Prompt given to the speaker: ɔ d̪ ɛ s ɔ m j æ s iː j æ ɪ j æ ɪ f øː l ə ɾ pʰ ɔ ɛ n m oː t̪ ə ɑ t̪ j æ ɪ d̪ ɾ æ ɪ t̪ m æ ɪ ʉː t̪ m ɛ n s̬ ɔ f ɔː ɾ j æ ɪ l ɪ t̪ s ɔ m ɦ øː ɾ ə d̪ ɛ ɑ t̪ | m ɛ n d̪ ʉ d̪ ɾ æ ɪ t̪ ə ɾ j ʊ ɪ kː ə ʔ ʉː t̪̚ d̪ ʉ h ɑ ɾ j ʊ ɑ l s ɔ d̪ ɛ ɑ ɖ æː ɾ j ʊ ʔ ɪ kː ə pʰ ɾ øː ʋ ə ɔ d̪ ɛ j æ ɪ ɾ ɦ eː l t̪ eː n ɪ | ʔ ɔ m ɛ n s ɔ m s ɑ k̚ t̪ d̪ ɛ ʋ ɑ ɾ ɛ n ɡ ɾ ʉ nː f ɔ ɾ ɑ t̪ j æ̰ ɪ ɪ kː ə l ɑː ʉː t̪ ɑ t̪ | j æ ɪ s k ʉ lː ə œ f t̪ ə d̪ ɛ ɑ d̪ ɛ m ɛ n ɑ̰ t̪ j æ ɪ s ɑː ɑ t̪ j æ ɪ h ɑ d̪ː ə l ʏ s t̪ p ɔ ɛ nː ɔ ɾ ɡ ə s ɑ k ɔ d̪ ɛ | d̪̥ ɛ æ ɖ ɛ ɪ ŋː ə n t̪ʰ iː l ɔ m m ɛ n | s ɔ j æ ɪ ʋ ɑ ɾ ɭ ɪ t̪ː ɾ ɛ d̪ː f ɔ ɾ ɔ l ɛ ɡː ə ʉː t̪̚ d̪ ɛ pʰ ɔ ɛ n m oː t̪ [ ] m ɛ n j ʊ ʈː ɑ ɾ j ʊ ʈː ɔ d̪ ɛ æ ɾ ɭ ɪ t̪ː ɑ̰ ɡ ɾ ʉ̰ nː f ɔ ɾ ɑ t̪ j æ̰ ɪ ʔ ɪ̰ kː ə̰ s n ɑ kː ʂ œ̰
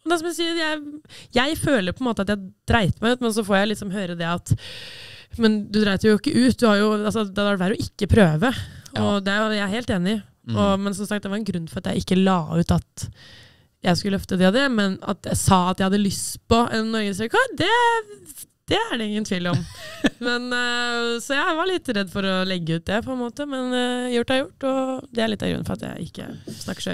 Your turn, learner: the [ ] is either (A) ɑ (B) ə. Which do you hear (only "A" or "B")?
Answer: B